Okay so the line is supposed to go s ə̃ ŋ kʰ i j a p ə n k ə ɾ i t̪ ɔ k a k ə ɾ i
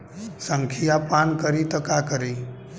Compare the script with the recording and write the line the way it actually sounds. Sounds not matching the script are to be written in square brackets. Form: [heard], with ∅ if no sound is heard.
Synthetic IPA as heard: s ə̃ ŋ kʰ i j a p [a] n k ə ɾ i t̪ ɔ k a k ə ɾ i